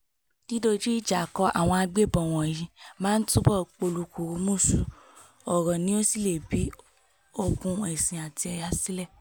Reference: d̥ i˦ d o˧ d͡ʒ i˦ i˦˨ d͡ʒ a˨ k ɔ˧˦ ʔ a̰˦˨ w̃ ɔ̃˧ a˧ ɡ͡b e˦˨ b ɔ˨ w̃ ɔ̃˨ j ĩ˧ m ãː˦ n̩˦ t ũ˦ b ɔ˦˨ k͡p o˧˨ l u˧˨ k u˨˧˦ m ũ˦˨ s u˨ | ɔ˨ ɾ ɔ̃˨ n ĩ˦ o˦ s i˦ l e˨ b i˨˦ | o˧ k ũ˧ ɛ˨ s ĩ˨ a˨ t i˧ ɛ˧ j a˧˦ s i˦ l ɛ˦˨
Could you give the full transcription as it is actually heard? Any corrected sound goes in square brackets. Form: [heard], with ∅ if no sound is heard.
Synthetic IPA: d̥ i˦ d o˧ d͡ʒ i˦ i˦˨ d͡ʒ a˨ k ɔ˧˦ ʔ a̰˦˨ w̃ ɔ̃˧ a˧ ɡ͡b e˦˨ b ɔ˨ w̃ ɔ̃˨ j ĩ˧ m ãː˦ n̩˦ t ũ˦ b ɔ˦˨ k͡p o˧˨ l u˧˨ k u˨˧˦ m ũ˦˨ s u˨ | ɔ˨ ɾ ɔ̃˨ n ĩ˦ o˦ s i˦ l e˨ b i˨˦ | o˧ k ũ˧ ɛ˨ s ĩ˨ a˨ t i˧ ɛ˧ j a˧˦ s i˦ l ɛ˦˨